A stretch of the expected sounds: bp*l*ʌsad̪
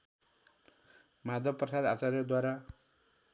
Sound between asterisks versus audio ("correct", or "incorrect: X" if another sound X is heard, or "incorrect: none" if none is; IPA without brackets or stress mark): incorrect: r